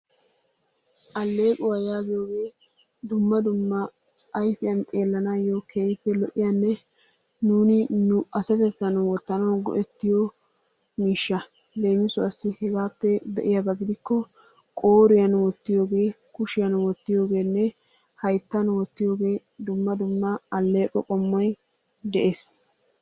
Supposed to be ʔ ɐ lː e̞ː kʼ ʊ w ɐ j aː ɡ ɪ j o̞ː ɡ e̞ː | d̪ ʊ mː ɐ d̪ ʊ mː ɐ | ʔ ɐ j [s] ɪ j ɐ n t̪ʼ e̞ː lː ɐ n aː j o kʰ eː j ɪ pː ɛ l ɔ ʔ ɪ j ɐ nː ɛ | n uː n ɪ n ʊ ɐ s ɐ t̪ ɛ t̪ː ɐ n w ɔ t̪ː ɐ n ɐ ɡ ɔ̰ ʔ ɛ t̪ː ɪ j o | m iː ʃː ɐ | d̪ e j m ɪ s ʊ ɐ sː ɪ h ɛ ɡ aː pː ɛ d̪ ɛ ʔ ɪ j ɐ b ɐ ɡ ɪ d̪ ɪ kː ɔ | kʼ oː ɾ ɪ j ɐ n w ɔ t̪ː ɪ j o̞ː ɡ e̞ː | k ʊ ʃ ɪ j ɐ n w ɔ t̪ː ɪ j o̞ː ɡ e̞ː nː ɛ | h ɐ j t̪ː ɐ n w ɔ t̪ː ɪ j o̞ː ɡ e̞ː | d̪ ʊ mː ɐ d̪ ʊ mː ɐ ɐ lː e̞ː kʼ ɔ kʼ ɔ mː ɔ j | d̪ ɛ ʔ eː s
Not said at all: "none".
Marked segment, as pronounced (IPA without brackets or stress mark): f